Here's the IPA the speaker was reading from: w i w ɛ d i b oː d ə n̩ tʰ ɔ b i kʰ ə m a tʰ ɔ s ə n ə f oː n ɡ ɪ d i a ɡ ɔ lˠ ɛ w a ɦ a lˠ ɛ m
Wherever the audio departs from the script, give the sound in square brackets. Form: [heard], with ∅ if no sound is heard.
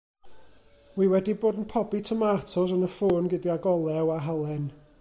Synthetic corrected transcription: w i w ɛ d i b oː d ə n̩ [pʰ] ɔ b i [tʰ] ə m a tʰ ɔ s ə n ə f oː n ɡ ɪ d i a ɡ ɔ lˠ ɛ w a ɦ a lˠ ɛ [n]